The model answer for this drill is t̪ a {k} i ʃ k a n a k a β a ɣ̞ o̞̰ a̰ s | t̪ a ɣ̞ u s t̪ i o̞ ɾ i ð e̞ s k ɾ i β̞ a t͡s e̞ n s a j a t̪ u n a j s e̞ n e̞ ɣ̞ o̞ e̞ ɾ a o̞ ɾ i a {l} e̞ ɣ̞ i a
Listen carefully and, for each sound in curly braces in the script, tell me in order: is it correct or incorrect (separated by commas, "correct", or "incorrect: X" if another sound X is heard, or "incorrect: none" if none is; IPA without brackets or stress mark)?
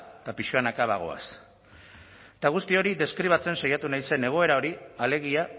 incorrect: p, correct